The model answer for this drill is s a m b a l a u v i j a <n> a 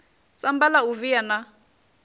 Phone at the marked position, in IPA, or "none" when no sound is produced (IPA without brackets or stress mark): n